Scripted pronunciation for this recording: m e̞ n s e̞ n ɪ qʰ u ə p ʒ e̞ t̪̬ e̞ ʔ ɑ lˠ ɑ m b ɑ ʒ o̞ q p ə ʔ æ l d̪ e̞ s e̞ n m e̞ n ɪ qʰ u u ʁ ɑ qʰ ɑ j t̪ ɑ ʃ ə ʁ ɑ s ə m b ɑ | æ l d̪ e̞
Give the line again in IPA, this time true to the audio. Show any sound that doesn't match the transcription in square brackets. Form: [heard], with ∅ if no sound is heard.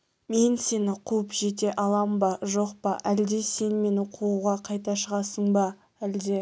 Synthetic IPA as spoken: m e̞ n s e̞ n ɪ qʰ u ə p ʒ e̞ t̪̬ e̞ ʔ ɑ lˠ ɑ m b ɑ ʒ o̞ q p [ɑ] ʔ æ l d̪ e̞ s e̞ n m e̞ n ɪ qʰ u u ʁ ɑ qʰ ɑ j t̪ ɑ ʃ ə ʁ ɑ s ə [ɴ] b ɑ | æ l d̪ e̞

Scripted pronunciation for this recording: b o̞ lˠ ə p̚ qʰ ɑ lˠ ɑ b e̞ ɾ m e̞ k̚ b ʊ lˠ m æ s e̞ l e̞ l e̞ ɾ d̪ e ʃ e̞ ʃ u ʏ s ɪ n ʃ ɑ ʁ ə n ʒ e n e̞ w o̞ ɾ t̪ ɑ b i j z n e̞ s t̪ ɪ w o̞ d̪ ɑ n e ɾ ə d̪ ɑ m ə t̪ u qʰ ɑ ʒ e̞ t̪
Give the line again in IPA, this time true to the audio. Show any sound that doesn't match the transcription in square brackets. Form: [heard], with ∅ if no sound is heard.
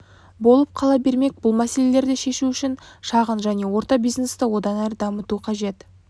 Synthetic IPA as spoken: b o̞ lˠ ə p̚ qʰ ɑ lˠ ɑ b e̞ ɾ m e̞ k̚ b ʊ lˠ m æ s e̞ l e̞ l e̞ ɾ d̪ e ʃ e̞ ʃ u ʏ [ʃ] ɪ n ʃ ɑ ʁ ə n ʒ [æ] n e̞ w o̞ ɾ t̪ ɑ b i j z n e̞ s t̪ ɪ w o̞ d̪ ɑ n [æ] ɾ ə d̪ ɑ m ə t̪ u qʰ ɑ ʒ e̞ t̪

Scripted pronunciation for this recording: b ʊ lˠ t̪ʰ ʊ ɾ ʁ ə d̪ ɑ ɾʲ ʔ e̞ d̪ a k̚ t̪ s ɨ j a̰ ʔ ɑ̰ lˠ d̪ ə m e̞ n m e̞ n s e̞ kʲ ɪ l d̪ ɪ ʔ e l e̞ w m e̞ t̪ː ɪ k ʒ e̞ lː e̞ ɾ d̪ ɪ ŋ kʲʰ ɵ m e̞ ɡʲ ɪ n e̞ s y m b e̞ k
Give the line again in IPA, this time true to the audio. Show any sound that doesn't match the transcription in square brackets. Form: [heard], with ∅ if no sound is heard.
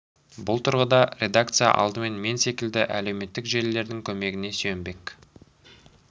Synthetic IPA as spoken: b ʊ lˠ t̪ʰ ʊ ɾ ʁ ə d̪ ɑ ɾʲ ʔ e̞ d̪ a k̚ t̪ s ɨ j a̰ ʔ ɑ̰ lˠ d̪ ə m e̞ n m e̞ n s e̞ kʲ ɪ l d̪ ɪ ʔ [æ] l e̞ w m e̞ t̪ː ɪ k ʒ e̞ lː e̞ ɾ d̪ ɪ ŋ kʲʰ ɵ m e̞ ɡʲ ɪ n e̞ s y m b e̞ k

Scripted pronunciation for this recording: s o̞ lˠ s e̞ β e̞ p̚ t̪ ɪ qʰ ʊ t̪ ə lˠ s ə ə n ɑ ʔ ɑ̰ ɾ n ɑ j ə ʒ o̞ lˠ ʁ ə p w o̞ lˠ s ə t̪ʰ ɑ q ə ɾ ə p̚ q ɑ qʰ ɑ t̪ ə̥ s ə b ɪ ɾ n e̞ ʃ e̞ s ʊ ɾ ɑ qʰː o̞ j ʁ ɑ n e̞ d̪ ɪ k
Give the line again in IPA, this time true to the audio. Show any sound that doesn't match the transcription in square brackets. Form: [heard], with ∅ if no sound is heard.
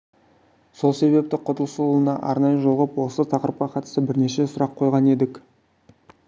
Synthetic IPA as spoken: s o̞ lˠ s e̞ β e̞ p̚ t̪ ɪ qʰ ʊ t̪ ə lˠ s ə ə n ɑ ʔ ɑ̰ ɾ n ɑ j ə ʒ o̞ lˠ ʁ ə p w o̞ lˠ s ə t̪ʰ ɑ q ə ɾ ə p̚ q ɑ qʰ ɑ t̪ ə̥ s ə b ɪ ɾ n e̞ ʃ e̞ s ʊ ɾ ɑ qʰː o̞ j ʁ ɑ n e̞ d̪ ɪ k

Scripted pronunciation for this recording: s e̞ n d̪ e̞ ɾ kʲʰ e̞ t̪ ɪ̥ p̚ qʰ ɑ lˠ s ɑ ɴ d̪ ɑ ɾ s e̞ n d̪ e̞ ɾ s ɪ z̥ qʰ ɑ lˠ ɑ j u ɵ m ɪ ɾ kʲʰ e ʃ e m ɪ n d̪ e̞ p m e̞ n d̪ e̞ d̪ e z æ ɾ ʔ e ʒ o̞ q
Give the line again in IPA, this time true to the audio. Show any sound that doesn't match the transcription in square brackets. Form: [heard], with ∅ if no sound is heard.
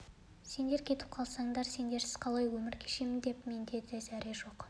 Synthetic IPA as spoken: s e̞ n d̪ e̞ ɾ kʲʰ e̞ t̪ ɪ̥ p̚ qʰ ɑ lˠ s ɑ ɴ d̪ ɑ ɾ s e̞ n d̪ e̞ ɾ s ɪ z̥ qʰ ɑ lˠ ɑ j [w] ɵ m ɪ ɾ kʲʰ e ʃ e m ɪ n d̪ e̞ p m e̞ n d̪ e̞ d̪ e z æ ɾ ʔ e ʒ o̞ q

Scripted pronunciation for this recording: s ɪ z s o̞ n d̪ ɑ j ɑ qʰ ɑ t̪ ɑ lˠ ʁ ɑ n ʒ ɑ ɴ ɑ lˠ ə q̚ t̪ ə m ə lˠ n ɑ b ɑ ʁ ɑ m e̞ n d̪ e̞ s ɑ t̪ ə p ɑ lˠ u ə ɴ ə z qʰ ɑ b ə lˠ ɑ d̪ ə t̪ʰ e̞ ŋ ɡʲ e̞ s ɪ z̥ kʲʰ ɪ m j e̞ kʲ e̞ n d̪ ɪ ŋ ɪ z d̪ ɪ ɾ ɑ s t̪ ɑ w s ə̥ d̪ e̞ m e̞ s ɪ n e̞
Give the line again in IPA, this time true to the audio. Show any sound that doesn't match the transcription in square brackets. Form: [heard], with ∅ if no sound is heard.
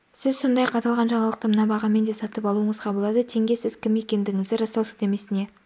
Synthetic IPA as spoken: s ɪ z s o̞ n d̪ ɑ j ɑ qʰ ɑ t̪ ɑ lˠ ʁ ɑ n ʒ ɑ ɴ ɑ lˠ ə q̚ t̪ ə m ə [∅] n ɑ b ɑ ʁ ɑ m e̞ n d̪ e̞ s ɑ t̪ ə p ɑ lˠ u ə ɴ ə z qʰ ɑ b ə lˠ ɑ d̪ ə t̪ʰ e̞ ŋ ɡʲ e̞ s ɪ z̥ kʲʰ ɪ m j e̞ kʲ e̞ n d̪ ɪ ŋ ɪ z d̪ ɪ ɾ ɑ s t̪ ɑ w s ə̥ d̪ e̞ m e̞ s ɪ n e̞

